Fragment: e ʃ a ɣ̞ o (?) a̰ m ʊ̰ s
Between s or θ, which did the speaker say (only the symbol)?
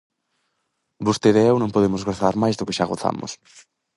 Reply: θ